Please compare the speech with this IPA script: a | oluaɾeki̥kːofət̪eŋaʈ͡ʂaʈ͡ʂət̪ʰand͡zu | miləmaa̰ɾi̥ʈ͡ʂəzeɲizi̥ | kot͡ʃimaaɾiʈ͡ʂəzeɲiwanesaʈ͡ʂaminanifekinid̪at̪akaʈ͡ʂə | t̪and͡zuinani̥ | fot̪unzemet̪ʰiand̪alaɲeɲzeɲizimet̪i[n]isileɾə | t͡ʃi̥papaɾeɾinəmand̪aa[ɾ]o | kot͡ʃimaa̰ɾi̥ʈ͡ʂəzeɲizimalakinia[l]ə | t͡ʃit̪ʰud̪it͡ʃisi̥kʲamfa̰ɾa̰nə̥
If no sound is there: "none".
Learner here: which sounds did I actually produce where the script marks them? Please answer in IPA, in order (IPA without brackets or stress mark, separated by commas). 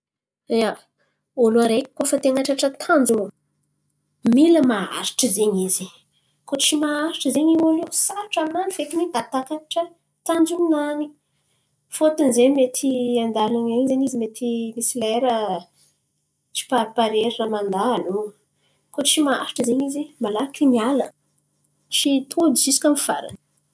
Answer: m, l, l